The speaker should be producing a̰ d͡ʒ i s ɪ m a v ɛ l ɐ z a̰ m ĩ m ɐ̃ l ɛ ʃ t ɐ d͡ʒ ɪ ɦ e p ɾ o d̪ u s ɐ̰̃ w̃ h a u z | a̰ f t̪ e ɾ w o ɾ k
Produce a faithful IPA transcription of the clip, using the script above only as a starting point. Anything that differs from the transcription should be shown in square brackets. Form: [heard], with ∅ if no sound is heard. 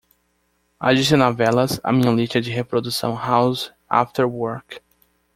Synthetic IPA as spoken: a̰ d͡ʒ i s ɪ [n] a v ɛ l ɐ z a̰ m ĩ [ɲ] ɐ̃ l [i] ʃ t ɐ d͡ʒ ɪ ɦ e p ɾ o d̪ u s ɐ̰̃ w̃ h a [w] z | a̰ f t̪ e ɾ w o ɾ k